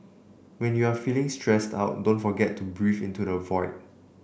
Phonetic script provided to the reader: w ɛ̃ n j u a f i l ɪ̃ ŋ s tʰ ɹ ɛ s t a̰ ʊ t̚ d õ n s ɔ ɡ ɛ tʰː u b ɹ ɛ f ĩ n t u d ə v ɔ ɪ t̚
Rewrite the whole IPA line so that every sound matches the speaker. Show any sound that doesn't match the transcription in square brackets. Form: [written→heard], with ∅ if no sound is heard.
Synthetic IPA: w ɛ̃ n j u a f i l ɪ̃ ŋ s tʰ ɹ ɛ s t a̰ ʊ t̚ d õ n [s→f] ɔ ɡ ɛ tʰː u b ɹ [ɛ→i] f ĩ n t u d ə v ɔ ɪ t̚